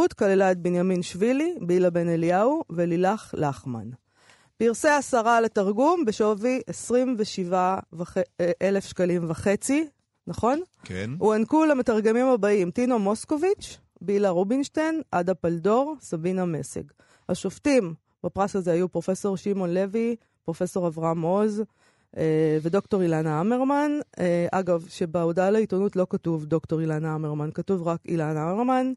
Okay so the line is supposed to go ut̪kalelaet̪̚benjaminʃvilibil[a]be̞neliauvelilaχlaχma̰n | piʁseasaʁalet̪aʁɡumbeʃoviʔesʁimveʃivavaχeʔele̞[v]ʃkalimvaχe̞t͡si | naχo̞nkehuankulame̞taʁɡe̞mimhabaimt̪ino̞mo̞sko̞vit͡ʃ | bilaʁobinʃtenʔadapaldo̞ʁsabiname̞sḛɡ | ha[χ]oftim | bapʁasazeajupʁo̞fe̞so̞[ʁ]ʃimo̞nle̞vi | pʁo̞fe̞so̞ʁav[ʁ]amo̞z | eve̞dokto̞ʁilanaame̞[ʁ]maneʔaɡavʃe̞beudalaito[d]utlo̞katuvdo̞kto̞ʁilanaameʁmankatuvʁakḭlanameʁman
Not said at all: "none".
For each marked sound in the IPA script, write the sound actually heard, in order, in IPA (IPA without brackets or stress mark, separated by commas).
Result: a, f, ʃ, ʁ, ʁ, ʁ, n